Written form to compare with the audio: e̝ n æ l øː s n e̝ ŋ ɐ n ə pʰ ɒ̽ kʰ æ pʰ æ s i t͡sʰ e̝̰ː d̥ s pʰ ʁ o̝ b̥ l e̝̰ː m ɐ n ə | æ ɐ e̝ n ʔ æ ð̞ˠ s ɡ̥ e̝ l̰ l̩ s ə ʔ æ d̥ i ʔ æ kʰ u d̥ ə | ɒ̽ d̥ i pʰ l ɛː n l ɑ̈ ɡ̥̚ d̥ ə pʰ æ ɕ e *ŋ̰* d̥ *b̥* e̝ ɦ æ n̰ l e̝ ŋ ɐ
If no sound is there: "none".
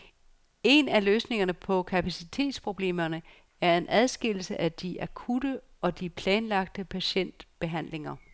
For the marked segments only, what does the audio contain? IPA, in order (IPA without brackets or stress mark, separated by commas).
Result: n̰, b̥